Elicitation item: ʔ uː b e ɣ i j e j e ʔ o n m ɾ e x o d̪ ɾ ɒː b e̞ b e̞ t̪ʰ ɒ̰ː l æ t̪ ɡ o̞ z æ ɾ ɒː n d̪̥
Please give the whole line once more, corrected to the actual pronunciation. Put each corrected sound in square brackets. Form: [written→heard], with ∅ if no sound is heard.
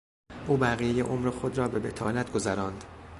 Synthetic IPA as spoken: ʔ uː b [e→æ] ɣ i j e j e ʔ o [n→∅] m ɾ e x o d̪ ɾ ɒː b e̞ b e̞ t̪ʰ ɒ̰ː l æ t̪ ɡ o̞ z æ ɾ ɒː n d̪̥